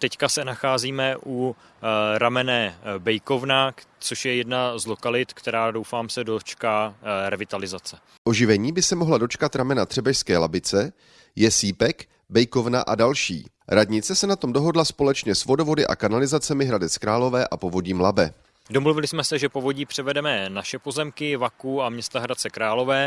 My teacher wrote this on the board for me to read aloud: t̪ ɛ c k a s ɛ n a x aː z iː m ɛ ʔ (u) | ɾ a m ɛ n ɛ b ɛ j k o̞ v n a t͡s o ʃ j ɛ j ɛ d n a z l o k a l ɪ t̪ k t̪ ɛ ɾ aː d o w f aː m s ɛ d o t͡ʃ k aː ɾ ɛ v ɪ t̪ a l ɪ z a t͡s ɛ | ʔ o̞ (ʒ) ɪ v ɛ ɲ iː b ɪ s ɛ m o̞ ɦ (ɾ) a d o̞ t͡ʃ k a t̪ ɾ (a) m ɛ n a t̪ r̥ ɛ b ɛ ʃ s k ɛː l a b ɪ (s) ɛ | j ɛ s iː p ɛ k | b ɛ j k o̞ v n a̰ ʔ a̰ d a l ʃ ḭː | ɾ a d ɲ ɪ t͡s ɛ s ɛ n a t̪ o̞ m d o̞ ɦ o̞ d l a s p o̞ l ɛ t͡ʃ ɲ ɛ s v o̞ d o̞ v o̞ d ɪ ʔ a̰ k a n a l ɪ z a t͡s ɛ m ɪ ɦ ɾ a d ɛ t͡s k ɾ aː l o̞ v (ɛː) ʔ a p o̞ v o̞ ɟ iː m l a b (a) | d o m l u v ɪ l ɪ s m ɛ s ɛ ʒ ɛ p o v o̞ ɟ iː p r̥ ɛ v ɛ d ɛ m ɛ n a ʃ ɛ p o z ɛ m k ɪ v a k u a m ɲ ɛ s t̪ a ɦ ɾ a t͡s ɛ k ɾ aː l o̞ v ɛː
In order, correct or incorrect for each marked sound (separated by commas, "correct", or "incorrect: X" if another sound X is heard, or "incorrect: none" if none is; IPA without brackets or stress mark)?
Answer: correct, correct, incorrect: l, correct, incorrect: t͡s, correct, incorrect: ɛ